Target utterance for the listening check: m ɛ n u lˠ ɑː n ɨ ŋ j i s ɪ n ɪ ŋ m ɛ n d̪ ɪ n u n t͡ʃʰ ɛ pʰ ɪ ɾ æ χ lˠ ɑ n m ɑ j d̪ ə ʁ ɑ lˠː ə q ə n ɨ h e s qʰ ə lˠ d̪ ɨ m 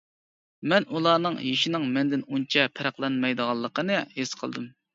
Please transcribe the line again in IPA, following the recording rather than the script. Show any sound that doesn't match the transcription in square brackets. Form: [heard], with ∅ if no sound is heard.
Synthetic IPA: m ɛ n u lˠ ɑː n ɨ ŋ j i [ʃ] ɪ n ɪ ŋ m ɛ n d̪ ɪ n u n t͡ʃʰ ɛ pʰ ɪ ɾ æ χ lˠ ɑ n m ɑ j d̪ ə ʁ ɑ lˠː ə q ə n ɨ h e s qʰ ə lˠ d̪ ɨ m